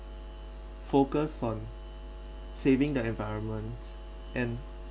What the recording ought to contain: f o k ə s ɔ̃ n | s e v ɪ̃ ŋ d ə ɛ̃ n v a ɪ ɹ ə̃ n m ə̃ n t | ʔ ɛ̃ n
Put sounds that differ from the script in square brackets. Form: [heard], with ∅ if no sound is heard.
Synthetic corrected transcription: f o k ə s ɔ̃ n | s e v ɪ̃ ŋ d ə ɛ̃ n v a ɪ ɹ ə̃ n m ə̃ n t | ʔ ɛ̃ n